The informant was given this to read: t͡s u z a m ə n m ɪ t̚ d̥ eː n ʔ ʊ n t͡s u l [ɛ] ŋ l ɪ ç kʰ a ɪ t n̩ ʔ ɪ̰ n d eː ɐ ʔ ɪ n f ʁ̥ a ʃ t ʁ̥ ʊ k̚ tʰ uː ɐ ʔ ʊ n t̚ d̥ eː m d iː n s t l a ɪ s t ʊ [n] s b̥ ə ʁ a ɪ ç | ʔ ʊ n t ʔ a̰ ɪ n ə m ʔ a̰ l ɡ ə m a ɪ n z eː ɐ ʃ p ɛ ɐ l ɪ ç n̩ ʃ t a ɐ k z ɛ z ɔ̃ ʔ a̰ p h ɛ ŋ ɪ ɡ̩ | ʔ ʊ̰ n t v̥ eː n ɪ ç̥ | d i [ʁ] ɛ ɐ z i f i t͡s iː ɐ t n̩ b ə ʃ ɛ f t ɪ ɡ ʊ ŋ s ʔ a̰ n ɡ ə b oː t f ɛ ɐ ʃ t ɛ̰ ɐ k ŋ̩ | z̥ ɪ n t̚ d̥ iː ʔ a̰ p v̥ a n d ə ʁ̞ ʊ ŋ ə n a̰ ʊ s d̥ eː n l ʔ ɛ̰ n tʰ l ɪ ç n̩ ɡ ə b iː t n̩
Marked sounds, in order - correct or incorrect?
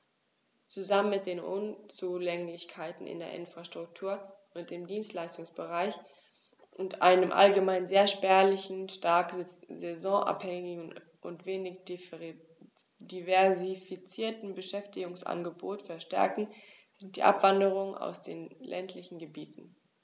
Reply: correct, incorrect: ŋ, incorrect: v

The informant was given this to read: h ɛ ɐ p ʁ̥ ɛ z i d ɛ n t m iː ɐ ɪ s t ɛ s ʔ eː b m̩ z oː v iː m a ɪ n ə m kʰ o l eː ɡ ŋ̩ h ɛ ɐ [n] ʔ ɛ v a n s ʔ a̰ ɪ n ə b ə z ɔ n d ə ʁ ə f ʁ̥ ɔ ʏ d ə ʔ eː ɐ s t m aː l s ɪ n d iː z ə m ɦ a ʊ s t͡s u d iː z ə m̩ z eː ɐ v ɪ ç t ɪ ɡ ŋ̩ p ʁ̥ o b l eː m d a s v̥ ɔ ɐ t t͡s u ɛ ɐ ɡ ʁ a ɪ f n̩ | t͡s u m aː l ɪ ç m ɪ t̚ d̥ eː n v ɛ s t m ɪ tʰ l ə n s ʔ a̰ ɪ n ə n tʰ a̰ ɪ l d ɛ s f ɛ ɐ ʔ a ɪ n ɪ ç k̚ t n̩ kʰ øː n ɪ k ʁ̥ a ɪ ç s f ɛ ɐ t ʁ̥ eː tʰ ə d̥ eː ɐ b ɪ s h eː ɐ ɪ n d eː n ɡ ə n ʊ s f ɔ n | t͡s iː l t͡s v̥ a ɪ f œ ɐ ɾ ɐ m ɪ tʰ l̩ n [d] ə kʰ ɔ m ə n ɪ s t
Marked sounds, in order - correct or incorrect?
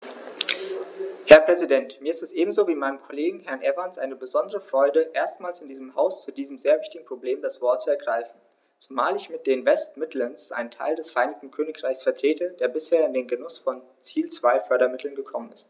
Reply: correct, incorrect: ɡ

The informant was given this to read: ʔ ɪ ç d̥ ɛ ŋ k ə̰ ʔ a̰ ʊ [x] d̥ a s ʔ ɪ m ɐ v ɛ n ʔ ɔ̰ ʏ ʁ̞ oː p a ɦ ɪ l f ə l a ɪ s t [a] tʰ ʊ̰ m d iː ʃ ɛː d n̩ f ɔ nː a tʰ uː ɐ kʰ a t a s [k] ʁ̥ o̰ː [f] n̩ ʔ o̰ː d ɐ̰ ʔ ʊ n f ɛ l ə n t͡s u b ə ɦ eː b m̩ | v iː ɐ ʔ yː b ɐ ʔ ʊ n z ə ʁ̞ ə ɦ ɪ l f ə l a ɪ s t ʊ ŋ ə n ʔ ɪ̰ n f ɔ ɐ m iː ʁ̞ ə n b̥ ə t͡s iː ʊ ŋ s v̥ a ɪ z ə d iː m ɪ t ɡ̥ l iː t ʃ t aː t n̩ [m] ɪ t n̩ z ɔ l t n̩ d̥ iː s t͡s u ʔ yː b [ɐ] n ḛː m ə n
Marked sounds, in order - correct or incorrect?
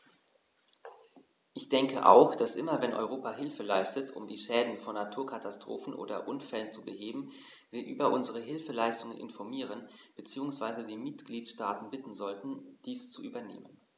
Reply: correct, incorrect: ə, incorrect: t, correct, incorrect: b, correct

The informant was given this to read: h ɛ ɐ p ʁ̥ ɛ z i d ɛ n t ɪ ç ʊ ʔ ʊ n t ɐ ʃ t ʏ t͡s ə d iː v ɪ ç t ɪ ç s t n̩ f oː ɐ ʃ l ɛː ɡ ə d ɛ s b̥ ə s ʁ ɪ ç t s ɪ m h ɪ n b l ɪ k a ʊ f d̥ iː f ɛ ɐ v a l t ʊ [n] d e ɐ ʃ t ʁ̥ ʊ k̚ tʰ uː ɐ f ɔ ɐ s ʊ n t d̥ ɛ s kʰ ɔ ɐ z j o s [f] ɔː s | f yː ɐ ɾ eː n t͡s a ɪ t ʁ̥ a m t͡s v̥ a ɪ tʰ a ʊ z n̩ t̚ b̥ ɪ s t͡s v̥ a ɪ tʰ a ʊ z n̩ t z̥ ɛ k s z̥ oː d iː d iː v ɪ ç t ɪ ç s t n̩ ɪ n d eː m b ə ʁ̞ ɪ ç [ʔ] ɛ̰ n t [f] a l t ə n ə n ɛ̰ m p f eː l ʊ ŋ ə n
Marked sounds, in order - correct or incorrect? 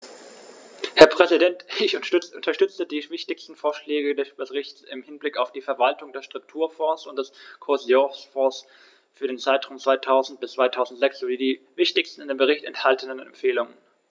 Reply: incorrect: ŋ, correct, incorrect: t, incorrect: h

